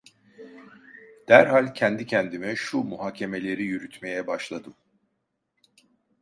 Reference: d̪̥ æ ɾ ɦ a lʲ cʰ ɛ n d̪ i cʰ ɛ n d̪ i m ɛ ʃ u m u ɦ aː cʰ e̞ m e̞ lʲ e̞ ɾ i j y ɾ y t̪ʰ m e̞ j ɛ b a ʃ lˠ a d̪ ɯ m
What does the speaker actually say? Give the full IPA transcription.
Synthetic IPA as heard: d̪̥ æ ɾ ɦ a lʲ cʰ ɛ n d̪ i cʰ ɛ n d̪ i m ɛ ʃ u m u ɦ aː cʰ e̞ m e̞ lʲ e̞ ɾ i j y ɾ y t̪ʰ m e̞ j ɛ b a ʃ lˠ a d̪ ɯ m